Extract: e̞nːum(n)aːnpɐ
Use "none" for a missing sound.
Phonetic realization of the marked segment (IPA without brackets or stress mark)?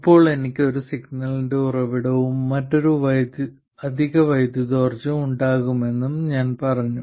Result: ɲ